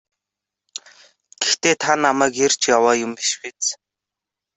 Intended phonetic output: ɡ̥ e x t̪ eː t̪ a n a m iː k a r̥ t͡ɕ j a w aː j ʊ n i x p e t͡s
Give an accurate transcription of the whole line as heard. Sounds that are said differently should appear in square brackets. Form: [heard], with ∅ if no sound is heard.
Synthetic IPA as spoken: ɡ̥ e x t̪ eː [t̪ʰ] a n a m [æː] k [e] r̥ t͡ɕ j a w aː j ʊ [m] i [ʃ] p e t͡s